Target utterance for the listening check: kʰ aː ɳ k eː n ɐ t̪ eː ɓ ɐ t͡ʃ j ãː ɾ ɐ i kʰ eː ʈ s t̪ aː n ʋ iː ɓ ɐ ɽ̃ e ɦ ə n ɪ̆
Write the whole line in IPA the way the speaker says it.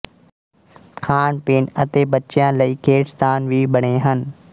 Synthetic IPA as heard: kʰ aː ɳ p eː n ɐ t̪ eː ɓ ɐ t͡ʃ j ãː l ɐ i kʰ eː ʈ s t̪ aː n ʋ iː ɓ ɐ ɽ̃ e ɦ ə n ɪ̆